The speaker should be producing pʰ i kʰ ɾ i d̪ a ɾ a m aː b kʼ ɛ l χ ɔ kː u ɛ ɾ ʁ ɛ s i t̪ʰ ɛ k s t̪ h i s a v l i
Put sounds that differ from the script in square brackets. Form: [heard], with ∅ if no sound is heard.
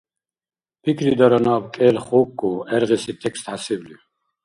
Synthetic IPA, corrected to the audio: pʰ i kʰ ɾ i d̪ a ɾ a [n] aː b kʼ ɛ l χ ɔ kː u ɛ ɾ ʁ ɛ s i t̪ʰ ɛ k s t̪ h [a] s [i] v l i